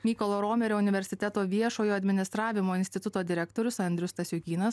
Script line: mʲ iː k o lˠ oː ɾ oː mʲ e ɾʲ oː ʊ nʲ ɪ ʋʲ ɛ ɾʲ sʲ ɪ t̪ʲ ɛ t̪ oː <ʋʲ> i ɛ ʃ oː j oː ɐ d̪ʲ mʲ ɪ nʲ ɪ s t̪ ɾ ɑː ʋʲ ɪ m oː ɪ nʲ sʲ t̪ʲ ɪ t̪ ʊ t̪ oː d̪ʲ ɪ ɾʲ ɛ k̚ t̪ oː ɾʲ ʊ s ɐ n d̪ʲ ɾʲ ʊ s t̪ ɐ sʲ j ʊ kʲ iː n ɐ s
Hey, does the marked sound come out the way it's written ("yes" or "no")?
yes